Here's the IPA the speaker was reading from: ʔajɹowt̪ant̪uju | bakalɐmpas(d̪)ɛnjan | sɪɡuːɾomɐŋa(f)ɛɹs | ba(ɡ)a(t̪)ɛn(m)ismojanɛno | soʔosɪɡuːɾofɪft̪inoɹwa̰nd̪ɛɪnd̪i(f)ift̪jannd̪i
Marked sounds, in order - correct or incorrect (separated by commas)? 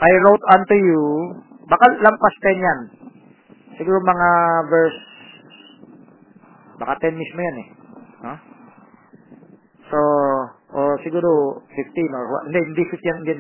incorrect, incorrect, incorrect, correct, correct, correct